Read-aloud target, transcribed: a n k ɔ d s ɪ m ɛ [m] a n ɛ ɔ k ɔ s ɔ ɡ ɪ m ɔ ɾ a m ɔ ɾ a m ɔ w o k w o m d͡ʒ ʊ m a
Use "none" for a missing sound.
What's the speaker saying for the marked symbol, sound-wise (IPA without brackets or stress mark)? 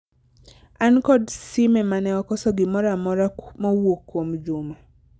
m